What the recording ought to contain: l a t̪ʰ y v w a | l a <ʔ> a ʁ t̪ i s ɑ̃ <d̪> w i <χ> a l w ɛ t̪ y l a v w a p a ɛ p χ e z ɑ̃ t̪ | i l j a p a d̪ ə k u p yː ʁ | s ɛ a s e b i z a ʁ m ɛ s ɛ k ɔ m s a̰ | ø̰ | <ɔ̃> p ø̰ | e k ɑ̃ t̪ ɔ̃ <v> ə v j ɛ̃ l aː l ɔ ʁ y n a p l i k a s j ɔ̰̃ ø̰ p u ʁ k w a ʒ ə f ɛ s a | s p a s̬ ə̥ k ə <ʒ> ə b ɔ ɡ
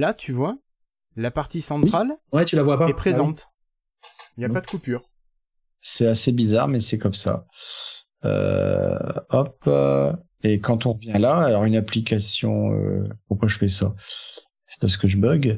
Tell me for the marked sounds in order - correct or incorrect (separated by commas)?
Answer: incorrect, incorrect, correct, incorrect, incorrect, correct